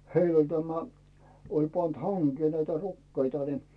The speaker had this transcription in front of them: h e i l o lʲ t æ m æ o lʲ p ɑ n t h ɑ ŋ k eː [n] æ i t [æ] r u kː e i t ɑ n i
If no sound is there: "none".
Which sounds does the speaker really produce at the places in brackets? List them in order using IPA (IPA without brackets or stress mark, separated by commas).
n, æ